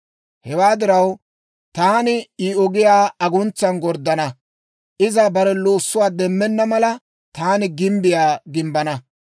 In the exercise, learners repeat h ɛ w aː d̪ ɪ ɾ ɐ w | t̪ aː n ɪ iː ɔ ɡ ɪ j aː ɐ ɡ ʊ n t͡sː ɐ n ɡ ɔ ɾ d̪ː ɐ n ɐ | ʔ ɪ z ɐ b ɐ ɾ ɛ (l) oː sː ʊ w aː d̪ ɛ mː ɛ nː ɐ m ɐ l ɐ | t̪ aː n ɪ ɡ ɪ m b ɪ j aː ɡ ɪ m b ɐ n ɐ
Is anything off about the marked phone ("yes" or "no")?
no